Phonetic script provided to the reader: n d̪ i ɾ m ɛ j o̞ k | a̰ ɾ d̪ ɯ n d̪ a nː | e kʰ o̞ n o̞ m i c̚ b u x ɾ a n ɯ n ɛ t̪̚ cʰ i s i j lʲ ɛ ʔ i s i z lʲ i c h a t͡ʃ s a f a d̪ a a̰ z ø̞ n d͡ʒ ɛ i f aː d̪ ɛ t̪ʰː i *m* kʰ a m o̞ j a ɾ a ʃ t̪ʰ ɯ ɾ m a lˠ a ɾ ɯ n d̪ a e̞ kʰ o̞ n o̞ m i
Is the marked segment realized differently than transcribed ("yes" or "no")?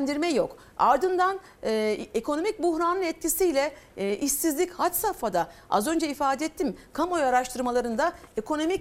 no